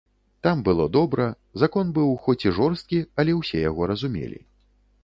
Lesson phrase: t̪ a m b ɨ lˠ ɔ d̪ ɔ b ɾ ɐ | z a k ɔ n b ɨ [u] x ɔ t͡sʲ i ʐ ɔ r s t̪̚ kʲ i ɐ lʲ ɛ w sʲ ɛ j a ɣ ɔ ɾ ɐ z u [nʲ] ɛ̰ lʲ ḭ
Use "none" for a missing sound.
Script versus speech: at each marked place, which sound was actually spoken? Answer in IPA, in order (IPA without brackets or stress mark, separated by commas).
w, mʲ